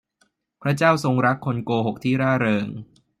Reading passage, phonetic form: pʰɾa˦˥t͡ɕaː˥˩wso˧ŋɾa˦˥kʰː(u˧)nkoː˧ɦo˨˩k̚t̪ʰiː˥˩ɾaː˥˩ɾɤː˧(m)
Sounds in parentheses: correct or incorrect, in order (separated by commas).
incorrect, incorrect